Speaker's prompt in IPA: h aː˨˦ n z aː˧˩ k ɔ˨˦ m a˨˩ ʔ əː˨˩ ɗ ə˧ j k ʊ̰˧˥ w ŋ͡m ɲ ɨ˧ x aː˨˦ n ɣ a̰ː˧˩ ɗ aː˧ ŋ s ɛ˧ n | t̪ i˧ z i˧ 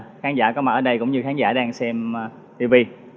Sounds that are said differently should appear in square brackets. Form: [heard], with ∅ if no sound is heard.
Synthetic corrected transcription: [x] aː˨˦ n z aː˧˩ k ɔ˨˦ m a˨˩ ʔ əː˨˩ ɗ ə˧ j k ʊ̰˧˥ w ŋ͡m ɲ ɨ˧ x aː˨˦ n [z] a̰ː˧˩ ɗ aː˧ ŋ s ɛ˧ [m] | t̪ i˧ [v] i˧